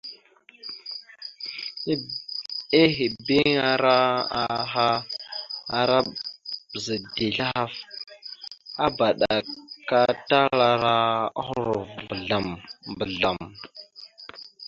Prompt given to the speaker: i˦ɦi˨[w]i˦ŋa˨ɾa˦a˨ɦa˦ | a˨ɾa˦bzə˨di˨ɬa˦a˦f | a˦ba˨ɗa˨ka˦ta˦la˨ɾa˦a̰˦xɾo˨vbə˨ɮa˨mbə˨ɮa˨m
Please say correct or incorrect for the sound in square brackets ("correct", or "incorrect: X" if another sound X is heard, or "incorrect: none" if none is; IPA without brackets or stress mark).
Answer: incorrect: b